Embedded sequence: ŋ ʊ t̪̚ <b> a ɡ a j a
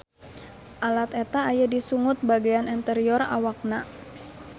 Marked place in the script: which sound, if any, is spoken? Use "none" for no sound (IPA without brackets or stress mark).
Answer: b